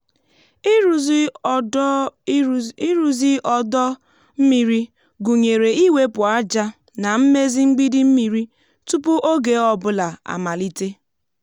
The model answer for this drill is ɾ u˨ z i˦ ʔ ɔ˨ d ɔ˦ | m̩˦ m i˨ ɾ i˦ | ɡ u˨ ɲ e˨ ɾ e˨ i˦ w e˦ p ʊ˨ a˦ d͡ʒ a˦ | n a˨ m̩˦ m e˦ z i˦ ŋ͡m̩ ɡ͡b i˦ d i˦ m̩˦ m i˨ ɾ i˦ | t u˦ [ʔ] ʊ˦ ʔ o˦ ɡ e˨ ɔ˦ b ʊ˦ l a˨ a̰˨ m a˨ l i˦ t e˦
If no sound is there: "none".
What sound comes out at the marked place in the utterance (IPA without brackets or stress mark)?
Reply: p